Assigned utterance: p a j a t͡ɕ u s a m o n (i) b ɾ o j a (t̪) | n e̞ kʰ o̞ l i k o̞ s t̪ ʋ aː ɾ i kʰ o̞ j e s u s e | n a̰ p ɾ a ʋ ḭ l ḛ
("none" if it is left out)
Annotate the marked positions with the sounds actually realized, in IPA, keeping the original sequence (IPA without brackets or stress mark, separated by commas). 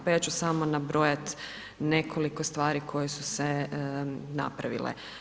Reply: a, t̪